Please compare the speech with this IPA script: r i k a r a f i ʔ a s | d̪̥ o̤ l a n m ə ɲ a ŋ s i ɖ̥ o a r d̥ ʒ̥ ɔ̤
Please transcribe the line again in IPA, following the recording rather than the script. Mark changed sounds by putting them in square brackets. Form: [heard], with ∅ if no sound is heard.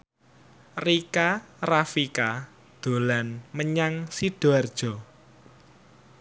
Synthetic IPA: r i k a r a f i [k] a [∅] | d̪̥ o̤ l a n m ə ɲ a ŋ s i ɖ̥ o a r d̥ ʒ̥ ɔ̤